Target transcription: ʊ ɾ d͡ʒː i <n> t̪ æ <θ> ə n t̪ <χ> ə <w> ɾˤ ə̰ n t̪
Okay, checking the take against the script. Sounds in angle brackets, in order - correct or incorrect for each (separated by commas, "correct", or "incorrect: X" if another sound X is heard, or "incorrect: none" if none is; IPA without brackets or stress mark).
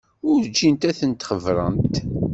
correct, correct, correct, incorrect: v